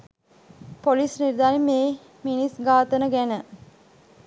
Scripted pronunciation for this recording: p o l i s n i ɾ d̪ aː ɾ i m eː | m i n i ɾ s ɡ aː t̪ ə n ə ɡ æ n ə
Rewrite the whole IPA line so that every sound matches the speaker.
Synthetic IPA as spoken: p o l i s n i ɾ d̪ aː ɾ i m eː | m i n i s ɡ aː t̪ ə n ə ɡ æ n ə